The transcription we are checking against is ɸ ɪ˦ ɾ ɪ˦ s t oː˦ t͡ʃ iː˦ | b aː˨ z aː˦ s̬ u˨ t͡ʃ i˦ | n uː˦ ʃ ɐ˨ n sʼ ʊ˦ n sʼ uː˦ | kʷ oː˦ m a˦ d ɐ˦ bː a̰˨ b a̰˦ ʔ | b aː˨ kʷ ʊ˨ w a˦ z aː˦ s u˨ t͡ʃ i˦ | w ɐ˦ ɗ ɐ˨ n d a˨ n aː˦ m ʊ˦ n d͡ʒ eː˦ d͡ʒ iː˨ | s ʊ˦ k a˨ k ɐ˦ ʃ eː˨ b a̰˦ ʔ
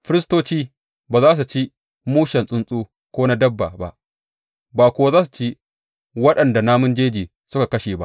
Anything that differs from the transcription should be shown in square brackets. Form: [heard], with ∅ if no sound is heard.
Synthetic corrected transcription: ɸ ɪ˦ ɾ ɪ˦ s t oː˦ t͡ʃ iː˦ | b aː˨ z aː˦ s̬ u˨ t͡ʃ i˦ | [m] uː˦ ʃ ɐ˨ n sʼ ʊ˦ n sʼ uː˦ | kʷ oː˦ [n] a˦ d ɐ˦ bː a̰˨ b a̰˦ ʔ | b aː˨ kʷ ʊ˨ w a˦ z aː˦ s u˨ t͡ʃ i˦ | w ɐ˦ ɗ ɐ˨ n d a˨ n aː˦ m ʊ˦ n d͡ʒ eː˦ d͡ʒ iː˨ | s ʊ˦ k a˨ k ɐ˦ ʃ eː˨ b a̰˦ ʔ